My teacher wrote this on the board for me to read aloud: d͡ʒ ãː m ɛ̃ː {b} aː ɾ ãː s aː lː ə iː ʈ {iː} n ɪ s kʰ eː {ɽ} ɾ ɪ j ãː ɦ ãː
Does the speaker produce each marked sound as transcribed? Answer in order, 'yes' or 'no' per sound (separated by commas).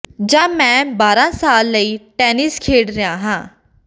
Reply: yes, no, yes